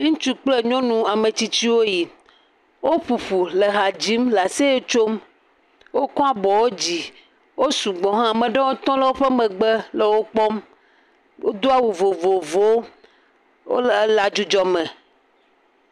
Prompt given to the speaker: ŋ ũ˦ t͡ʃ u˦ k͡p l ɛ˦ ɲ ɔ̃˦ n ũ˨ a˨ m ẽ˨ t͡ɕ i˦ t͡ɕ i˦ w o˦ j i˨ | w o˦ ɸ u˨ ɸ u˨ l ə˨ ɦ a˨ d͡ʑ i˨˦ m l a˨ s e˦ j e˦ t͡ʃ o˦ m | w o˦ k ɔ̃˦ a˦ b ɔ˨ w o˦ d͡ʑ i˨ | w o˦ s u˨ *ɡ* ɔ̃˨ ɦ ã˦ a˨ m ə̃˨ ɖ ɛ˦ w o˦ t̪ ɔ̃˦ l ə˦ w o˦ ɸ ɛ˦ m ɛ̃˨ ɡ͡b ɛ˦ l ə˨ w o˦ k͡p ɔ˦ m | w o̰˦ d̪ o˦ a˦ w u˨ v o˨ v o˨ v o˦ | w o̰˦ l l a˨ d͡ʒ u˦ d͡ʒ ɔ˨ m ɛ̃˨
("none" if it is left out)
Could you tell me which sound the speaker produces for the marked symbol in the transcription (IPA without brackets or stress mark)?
ɡ͡b